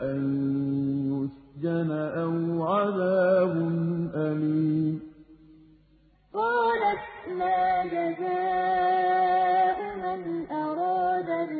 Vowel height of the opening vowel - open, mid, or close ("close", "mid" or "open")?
open